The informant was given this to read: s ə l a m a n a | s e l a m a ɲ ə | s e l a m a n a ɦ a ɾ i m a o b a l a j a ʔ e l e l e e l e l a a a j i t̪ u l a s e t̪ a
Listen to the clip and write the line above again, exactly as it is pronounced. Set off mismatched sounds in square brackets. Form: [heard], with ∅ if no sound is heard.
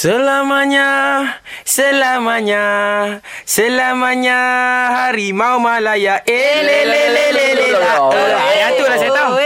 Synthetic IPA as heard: s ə l a m a [ɲ] a | s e l a m a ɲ [a] | s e l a m a [ɲ] a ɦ a ɾ i m a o [m] a l a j a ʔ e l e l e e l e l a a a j [a] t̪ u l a s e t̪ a